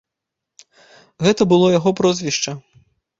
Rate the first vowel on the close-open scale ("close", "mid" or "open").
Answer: mid